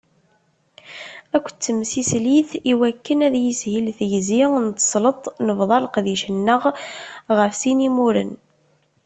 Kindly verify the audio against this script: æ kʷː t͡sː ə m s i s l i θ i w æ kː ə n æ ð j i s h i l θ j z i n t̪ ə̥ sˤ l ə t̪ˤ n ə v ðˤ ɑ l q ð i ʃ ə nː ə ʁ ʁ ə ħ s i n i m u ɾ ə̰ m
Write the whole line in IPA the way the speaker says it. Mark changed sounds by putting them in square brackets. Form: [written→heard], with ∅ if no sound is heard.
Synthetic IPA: æ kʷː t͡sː ə m s i s l i θ i w æ kː ə n æ ð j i s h i l θ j z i n t̪ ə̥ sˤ l ə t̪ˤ n ə v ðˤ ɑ l q ð i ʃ ə nː ə ʁ ʁ ə [ħ→f] s i n i m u ɾ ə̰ [m→n]